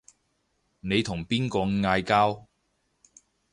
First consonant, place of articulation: alveolar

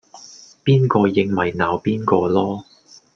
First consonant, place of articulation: labial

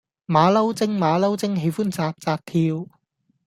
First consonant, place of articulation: labial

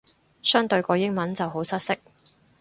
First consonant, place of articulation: alveolar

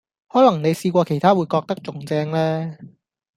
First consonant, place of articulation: glottal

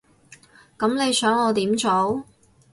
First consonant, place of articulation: velar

